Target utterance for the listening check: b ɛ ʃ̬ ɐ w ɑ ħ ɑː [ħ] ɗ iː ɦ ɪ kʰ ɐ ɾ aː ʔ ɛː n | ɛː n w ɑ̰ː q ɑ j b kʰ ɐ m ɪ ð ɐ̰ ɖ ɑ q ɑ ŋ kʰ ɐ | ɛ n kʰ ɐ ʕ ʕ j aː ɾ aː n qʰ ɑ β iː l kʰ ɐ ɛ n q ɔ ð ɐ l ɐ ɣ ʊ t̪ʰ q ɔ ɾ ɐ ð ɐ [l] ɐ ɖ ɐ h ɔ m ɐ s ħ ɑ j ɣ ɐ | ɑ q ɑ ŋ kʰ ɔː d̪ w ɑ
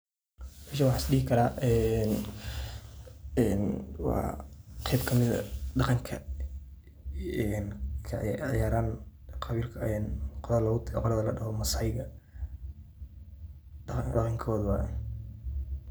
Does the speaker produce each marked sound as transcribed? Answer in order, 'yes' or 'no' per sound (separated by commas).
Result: no, yes